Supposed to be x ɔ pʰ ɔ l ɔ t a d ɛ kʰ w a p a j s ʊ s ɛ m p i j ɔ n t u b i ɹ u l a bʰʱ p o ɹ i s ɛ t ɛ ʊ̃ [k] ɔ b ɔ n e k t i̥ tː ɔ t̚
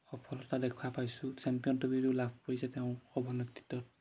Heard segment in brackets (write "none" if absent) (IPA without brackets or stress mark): x